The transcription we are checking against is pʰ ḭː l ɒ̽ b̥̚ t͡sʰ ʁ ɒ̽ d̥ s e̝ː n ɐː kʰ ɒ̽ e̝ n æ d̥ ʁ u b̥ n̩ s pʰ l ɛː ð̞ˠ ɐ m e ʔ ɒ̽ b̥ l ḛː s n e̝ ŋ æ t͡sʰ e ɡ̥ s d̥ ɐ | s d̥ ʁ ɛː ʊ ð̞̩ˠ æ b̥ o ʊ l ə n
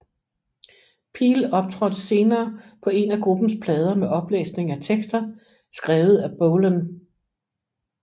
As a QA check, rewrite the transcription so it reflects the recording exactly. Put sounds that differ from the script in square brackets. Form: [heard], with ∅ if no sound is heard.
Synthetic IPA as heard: pʰ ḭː l ɒ̽ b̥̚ t͡sʰ ʁ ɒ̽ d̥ s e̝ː n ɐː [pʰ] ɒ̽ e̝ n æ [ɡ̥] ʁ u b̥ n̩ s pʰ l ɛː ð̞ˠ ɐ m e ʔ ɒ̽ b̥ l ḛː s n e̝ ŋ æ t͡sʰ e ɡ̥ s d̥ ɐ | s [ɡ̥] ʁ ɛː ʊ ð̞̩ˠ æ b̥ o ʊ l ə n